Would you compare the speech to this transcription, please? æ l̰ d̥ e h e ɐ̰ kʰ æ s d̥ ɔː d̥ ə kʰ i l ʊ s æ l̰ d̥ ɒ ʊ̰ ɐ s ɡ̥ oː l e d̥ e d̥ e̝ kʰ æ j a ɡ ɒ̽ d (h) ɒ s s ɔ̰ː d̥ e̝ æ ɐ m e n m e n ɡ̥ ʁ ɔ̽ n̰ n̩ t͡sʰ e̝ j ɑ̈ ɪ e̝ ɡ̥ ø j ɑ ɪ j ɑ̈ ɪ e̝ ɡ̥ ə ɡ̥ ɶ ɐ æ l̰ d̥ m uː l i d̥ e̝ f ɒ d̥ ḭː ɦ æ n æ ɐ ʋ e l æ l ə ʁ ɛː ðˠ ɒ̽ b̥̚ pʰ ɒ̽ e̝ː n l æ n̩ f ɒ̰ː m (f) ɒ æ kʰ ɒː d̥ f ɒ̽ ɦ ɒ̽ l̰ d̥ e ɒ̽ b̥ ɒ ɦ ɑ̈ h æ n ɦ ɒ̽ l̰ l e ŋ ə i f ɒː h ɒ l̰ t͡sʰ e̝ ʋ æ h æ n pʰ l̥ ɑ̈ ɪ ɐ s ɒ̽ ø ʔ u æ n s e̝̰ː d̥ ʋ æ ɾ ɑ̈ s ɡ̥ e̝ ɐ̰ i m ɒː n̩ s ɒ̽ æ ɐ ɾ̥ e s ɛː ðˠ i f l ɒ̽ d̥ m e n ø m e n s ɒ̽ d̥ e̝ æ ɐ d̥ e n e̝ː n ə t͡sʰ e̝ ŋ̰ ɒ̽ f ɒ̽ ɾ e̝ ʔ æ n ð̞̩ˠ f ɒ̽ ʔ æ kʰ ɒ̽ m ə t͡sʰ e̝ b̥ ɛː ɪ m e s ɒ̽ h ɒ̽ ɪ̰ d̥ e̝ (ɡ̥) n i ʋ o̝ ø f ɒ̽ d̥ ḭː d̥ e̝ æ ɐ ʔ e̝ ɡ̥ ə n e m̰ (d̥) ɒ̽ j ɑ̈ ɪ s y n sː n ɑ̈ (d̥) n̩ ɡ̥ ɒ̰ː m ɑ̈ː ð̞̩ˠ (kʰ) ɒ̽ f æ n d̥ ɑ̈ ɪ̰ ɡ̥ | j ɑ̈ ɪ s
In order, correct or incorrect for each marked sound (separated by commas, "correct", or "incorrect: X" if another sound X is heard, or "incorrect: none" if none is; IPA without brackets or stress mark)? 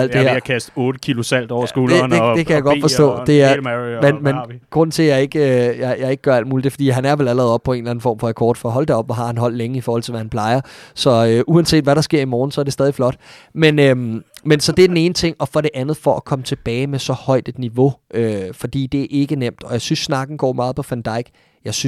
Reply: incorrect: f, correct, incorrect: d̥, correct, incorrect: ɡ̥, incorrect: pʰ